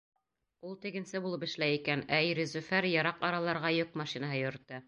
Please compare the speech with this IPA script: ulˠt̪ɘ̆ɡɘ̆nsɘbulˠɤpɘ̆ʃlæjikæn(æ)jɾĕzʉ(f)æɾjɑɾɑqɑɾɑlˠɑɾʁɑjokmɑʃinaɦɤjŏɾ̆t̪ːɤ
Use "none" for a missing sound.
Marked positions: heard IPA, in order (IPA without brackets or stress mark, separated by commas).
æ, f